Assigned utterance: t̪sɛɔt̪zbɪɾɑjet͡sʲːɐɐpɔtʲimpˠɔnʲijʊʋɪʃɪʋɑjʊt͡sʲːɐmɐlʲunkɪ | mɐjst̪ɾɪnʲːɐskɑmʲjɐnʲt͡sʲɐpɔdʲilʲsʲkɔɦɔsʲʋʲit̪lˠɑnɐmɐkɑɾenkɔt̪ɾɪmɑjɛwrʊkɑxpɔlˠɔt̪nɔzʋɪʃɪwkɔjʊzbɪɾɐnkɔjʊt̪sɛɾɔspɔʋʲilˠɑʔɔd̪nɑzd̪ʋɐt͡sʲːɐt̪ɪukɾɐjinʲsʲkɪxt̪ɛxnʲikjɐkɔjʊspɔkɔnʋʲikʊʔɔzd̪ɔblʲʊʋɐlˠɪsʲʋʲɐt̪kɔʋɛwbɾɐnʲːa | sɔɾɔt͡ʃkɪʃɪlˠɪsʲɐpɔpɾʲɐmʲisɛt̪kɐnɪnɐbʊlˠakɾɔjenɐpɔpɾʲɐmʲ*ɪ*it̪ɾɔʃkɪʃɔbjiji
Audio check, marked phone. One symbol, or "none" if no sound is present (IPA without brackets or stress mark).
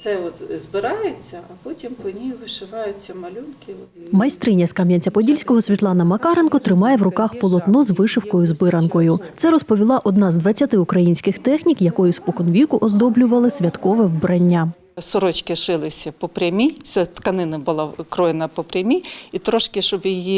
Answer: i